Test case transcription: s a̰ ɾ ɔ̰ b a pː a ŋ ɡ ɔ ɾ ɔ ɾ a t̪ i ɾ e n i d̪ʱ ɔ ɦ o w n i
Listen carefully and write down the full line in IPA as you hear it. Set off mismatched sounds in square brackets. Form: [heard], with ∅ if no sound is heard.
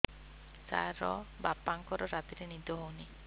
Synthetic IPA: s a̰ ɾ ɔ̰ b a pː a ŋ [k] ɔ ɾ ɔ ɾ a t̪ i ɾ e n i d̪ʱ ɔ ɦ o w n i